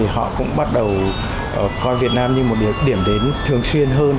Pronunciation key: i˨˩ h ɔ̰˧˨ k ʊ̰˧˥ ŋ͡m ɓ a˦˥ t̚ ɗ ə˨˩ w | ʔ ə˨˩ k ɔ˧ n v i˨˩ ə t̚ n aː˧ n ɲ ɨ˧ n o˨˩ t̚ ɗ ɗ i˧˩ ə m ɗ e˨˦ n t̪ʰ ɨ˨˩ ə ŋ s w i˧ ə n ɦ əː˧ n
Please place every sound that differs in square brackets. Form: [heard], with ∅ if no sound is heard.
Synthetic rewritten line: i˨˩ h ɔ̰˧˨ k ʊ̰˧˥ ŋ͡m ɓ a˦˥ t̚ ɗ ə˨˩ w | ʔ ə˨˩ k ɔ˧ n v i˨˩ ə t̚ n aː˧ [m] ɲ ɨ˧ [m] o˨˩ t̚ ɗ ɗ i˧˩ ə m ɗ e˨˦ n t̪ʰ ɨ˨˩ ə ŋ s w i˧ ə n ɦ əː˧ n